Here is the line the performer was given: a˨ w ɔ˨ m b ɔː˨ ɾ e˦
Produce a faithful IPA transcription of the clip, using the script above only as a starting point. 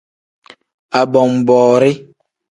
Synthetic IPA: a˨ b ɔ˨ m b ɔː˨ ɾ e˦